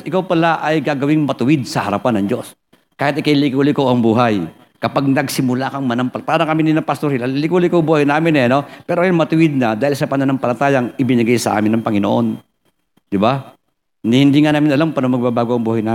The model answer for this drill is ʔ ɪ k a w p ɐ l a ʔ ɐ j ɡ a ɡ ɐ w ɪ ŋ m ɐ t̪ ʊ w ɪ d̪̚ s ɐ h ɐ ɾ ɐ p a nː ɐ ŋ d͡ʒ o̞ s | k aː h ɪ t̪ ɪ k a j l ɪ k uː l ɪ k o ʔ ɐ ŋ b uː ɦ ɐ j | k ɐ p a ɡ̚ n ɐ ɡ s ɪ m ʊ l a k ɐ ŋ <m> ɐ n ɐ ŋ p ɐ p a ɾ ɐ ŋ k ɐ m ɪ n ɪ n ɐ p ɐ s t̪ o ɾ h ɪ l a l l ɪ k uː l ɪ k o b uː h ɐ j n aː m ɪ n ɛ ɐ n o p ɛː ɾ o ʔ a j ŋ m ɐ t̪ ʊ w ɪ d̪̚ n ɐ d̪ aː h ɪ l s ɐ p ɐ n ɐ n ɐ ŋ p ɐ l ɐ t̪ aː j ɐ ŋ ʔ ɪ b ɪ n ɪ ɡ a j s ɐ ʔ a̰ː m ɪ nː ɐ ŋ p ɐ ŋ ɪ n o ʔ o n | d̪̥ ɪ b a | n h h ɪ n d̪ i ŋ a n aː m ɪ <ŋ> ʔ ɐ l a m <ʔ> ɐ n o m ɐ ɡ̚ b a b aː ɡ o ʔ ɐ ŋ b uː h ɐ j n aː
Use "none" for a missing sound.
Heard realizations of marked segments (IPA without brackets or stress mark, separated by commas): m, n, p